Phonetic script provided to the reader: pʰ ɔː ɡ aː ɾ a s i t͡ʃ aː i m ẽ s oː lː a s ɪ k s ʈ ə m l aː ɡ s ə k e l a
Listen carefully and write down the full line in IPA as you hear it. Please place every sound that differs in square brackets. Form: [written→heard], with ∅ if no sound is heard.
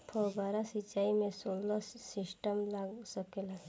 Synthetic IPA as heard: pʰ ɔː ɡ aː ɾ a s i t͡ʃ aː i m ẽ s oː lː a s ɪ [k→∅] s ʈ ə m l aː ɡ s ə k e l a